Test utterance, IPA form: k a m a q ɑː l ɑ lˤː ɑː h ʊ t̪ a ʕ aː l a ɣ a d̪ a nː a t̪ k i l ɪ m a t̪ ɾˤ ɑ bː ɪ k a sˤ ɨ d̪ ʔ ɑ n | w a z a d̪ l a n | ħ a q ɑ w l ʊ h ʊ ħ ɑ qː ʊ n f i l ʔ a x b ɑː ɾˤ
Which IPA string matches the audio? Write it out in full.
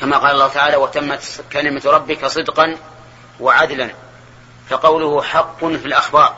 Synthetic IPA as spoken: k a m a q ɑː l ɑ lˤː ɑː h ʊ t̪ a ʕ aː l a w a t̪ a mː a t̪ k a l ɪ m a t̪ ɾˤ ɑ bː ɪ k a sˤ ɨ d̪ q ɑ n | w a ʕ a d̪ l a n | f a q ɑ w l ʊ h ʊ ħ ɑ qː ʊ n f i l ʔ a x b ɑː ɾˤ